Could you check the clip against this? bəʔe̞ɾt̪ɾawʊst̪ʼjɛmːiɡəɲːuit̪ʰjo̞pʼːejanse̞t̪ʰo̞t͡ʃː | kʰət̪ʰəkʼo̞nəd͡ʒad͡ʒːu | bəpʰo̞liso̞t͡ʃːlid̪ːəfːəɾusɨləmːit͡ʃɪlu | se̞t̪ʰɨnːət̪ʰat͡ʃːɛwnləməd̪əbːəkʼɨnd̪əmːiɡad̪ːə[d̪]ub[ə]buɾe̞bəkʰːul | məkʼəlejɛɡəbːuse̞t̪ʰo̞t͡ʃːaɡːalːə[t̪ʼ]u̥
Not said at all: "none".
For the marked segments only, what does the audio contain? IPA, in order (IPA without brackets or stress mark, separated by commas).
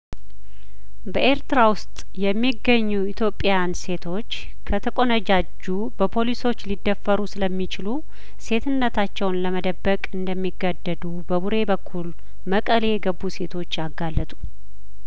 d̪, ə, t̪ʼ